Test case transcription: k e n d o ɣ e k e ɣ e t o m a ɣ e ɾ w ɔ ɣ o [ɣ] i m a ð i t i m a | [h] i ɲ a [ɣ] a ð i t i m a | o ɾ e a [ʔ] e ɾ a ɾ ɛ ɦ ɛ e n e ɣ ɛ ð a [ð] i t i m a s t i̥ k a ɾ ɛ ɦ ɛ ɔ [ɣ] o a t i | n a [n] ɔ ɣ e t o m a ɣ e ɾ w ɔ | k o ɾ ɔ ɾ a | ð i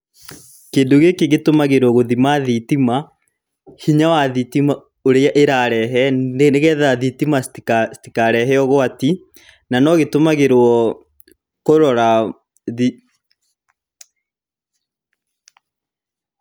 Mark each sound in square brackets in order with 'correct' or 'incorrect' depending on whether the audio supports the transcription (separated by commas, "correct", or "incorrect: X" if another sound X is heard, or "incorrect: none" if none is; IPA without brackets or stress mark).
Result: incorrect: ð, correct, incorrect: w, correct, correct, correct, correct